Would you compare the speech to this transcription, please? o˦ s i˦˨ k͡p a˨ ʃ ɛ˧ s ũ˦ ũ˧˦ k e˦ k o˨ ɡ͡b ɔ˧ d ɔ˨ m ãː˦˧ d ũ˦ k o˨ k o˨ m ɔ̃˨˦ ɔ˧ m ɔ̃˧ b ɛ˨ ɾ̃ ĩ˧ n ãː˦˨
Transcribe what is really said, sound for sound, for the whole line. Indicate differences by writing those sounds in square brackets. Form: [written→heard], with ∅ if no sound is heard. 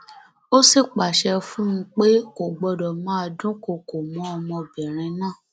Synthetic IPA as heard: o˦ s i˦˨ k͡p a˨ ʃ ɛ˧ [s→f] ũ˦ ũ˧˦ [k→k͡p] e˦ k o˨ ɡ͡b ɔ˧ d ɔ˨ m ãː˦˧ d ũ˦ k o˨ k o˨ m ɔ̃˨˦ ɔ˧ m ɔ̃˧ b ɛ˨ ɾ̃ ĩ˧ n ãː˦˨

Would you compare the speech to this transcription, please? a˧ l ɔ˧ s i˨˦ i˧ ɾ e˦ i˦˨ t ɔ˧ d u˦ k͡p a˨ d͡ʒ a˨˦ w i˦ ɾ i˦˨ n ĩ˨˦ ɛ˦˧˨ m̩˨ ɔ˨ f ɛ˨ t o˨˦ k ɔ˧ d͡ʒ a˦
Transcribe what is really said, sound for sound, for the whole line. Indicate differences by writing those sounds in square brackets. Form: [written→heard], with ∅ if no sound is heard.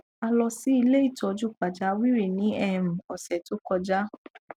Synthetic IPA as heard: a˧ l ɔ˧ s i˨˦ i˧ [ɾ→l] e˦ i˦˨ t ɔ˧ [d→d͡ʒ] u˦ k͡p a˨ d͡ʒ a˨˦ w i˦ ɾ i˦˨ n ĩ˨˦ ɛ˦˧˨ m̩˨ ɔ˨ [f→s] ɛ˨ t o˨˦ k ɔ˧ d͡ʒ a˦

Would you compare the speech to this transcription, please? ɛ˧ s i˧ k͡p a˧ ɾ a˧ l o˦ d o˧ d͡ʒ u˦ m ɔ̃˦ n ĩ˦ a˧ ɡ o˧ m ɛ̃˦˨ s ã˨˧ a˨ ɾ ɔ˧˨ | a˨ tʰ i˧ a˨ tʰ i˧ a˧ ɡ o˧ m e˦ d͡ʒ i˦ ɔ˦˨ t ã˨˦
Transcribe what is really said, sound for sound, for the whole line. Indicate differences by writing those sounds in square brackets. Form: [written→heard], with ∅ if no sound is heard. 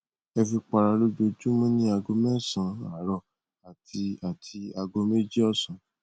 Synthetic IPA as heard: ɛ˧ [s→f] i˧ k͡p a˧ ɾ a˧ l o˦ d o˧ d͡ʒ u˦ m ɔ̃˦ n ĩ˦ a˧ ɡ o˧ m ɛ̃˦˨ s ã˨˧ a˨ ɾ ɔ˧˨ | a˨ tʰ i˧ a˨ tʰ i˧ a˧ ɡ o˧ m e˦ d͡ʒ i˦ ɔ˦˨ [t→s] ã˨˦

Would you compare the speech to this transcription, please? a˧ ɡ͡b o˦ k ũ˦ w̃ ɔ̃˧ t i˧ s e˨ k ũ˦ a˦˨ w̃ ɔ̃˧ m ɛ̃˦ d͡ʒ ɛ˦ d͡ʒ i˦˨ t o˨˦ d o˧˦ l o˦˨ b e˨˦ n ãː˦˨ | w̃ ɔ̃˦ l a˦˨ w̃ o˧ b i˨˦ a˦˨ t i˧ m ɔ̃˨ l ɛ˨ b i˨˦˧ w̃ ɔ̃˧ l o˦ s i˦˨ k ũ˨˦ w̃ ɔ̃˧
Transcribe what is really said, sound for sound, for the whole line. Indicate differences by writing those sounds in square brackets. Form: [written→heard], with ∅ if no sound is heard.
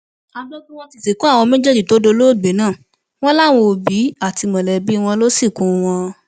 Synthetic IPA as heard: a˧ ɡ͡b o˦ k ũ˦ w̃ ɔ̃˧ t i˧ s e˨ k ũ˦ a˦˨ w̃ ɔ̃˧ m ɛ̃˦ d͡ʒ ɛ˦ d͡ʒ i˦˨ t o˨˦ d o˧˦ l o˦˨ [b→ɡ͡b] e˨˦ n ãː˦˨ | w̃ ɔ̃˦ l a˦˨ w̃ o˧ b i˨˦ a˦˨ t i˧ m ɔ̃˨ l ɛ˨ b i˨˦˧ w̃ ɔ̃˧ l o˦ s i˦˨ k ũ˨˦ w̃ ɔ̃˧

